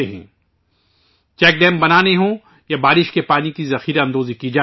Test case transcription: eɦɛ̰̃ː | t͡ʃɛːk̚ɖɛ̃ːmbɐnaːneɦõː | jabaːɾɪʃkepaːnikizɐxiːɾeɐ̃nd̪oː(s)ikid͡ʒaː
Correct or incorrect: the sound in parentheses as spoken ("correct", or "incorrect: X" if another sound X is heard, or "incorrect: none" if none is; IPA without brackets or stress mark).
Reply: incorrect: z